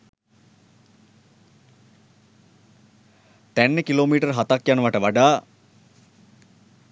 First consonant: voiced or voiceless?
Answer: voiceless